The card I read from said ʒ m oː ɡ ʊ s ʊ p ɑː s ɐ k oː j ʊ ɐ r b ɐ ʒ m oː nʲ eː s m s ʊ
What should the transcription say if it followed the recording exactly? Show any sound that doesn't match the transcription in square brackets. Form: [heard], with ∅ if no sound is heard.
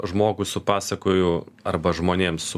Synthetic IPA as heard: ʒ m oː ɡ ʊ s ʊ p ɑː s ɐ k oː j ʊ ɐ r b ɐ ʒ m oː nʲ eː [∅] m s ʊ